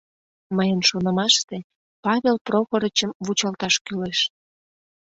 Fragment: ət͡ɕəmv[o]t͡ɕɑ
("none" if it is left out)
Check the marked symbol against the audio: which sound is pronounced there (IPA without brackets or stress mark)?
u